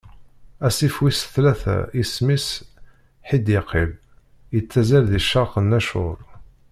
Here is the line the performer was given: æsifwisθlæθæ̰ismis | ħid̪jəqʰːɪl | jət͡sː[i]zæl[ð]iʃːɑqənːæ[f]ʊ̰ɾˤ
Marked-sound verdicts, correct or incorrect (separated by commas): incorrect, correct, incorrect